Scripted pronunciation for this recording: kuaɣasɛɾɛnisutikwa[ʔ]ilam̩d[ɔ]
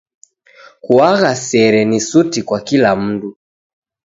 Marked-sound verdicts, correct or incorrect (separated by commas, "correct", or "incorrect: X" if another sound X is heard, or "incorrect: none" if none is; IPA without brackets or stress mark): incorrect: k, incorrect: u